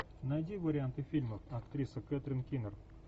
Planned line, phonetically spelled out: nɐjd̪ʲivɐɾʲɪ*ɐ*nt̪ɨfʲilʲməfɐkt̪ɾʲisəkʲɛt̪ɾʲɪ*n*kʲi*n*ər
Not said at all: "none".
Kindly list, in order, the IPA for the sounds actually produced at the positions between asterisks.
a, n, n

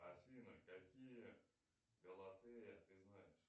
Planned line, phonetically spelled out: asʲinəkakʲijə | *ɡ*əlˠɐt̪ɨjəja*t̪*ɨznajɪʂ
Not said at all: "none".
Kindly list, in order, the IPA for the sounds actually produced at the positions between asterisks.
ɡ, t̪

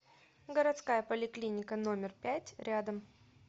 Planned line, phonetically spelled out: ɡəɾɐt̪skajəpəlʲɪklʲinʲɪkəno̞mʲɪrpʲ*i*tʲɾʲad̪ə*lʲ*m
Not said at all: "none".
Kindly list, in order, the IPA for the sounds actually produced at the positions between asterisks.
æ, none

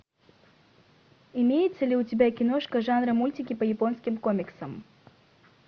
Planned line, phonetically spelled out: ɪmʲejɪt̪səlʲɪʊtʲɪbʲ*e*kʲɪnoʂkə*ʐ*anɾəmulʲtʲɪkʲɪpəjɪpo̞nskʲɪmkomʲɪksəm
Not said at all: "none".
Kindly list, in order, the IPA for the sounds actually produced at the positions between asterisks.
a, ʐ

